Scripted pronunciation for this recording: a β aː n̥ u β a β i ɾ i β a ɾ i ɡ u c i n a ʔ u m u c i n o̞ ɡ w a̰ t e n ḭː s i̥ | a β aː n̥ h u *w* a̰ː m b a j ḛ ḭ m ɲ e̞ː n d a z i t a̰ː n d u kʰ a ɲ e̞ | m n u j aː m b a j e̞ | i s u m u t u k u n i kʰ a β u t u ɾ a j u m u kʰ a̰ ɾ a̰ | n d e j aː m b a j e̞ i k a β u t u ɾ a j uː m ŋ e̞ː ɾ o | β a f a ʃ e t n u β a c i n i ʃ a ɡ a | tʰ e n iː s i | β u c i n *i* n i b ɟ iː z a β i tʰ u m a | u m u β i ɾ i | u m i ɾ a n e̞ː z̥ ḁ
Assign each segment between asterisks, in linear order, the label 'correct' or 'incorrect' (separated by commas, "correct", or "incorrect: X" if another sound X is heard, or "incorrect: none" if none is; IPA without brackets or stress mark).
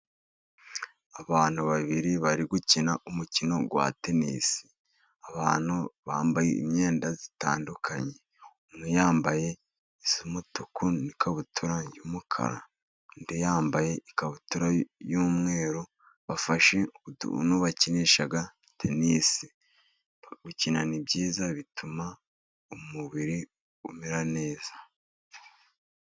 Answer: incorrect: β, incorrect: a